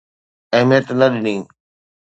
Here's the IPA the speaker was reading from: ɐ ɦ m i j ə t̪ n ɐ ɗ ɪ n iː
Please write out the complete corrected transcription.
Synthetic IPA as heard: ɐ ɦ m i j ə t̪ n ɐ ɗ ɪ n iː